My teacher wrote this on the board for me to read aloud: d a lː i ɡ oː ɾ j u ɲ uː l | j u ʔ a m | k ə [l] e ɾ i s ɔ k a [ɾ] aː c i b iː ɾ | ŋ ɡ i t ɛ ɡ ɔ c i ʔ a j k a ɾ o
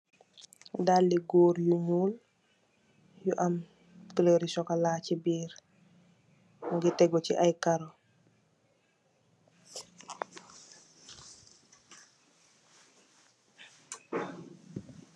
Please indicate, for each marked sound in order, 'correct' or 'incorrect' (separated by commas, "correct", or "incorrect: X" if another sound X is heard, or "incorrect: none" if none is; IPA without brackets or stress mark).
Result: correct, incorrect: l